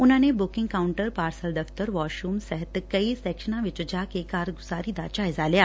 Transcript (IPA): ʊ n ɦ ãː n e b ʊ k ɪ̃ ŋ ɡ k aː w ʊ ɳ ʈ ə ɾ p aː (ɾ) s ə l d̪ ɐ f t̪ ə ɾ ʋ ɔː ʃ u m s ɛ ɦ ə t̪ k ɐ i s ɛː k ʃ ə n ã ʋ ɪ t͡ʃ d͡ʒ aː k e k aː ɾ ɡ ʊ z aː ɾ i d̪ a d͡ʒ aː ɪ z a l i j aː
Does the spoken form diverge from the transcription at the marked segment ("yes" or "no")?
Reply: no